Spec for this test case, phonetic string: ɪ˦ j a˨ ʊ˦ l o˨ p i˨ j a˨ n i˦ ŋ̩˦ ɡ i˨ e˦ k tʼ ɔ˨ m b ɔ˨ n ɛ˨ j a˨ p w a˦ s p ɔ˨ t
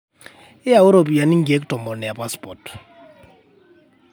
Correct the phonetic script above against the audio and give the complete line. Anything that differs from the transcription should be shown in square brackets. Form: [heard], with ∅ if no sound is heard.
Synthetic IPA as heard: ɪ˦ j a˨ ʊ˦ [ɾ] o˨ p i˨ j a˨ n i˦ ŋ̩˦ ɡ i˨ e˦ k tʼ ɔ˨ m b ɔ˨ n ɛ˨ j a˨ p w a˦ s p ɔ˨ t